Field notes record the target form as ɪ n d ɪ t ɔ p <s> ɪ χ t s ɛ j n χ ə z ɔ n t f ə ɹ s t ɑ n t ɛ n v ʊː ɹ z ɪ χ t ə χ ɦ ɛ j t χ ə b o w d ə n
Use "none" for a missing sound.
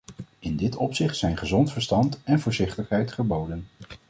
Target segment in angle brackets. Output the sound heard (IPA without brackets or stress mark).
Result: s